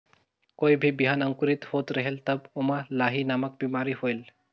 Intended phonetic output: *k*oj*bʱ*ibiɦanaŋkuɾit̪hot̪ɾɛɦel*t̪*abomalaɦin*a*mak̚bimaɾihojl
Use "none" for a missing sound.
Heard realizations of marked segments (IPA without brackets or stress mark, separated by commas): k, bʱ, t̪, a